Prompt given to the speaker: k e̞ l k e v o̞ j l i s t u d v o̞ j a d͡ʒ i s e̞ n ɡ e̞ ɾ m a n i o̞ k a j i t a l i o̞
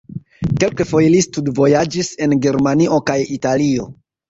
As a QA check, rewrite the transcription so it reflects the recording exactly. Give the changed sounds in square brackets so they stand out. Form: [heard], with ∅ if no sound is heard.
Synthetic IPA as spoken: k e̞ l k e [f] o̞ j l i s t u d v o̞ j a d͡ʒ i s e̞ n ɡ e̞ ɾ m a n i o̞ k a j i t a l i o̞